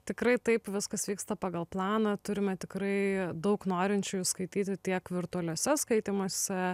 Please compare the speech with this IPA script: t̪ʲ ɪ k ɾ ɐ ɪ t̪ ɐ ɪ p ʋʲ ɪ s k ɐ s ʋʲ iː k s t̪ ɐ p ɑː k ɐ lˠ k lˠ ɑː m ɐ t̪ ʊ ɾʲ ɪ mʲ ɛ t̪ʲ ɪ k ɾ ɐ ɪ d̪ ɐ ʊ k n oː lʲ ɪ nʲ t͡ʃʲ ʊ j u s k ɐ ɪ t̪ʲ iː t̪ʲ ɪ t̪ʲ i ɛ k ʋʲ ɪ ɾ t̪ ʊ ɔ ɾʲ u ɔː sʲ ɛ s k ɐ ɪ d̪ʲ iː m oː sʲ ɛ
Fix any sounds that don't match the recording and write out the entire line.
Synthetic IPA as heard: t̪ʲ ɪ k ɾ ɐ ɪ t̪ ɐ ɪ p ʋʲ ɪ s k ɐ s ʋʲ iː k s t̪ ɐ p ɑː ɡ ɐ lˠ p lˠ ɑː n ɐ t̪ ʊ ɾʲ ɪ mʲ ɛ t̪ʲ ɪ k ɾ ɐ ɪ d̪ ɐ ʊ k n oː ɾʲ ɪ nʲ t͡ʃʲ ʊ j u s k ɐ ɪ t̪ʲ iː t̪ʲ ɪ t̪ʲ i ɛ k ʋʲ ɪ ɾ t̪ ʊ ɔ lʲ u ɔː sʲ ɛ s k ɐ ɪ t̪ʲ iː m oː sʲ ɛ